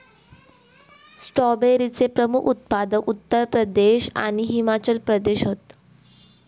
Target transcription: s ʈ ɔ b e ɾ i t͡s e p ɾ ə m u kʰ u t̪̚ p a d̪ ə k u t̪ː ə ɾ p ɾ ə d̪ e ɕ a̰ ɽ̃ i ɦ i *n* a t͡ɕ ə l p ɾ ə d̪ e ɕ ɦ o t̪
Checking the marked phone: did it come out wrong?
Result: yes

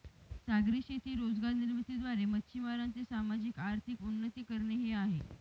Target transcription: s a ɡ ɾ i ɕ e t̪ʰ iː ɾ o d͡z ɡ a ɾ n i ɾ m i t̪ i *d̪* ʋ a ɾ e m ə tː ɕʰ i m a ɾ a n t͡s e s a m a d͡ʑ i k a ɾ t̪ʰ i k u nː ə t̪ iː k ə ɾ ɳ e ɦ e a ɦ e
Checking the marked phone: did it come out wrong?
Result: no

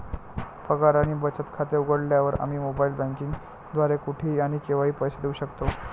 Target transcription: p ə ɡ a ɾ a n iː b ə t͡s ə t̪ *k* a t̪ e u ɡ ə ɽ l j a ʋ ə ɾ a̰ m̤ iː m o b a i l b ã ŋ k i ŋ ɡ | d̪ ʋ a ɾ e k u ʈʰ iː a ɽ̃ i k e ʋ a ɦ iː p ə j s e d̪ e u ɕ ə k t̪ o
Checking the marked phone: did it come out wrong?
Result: yes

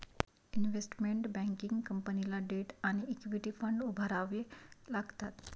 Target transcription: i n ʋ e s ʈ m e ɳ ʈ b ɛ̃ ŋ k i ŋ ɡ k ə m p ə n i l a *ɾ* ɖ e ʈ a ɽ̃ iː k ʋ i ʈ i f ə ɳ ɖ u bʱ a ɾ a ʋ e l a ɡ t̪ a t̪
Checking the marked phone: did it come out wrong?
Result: yes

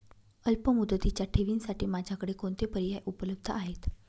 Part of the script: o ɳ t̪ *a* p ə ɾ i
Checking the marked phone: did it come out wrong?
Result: yes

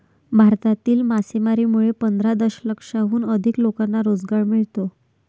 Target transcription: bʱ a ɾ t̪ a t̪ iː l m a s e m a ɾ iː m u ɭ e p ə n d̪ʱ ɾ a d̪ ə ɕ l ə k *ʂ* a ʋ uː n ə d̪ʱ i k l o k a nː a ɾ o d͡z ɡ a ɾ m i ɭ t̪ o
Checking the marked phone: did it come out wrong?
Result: no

